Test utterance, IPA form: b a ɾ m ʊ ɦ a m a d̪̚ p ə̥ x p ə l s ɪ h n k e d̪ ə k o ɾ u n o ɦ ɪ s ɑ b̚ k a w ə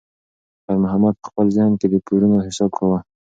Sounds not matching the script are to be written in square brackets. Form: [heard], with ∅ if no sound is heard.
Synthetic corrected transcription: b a ɾ m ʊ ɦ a m a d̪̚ p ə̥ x p ə l [z] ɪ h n k e d̪ ə k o ɾ u n o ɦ ɪ s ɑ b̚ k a w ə